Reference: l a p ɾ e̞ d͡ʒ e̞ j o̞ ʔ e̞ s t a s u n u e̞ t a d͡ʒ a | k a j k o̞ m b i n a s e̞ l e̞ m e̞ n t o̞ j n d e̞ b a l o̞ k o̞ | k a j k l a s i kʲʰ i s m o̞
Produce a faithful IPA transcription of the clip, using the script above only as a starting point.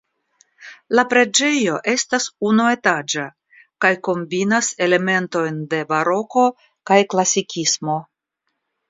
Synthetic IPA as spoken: l a p ɾ e̞ d͡ʒ e̞ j o̞ ʔ e̞ s t a s u n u e̞ t a d͡ʒ a | k a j k o̞ m b i n a s e̞ l e̞ m e̞ n t o̞ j n d e̞ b a ɾ o̞ k o̞ | k a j k l a s i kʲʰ i s m o̞